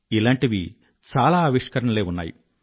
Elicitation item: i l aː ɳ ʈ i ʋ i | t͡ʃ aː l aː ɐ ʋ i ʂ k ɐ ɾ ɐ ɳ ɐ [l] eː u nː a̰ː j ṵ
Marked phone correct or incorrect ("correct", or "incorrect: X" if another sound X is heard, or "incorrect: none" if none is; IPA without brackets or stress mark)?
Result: correct